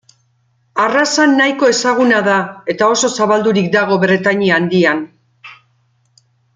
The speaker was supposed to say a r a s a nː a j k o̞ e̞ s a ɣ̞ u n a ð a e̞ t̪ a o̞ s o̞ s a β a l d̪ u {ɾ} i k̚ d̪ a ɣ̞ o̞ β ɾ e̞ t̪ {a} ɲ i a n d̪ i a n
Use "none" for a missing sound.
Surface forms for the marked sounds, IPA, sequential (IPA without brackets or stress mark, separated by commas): ɾ, a